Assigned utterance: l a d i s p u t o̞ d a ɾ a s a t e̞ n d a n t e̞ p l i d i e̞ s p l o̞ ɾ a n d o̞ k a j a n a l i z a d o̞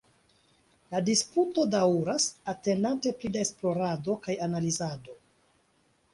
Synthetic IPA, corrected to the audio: l a d i s p u t o̞ d a ɾ a s a t e̞ n d a n t e̞ p l i d a e̞ s p l o̞ ɾ a d o̞ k a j a n a l i z a d o̞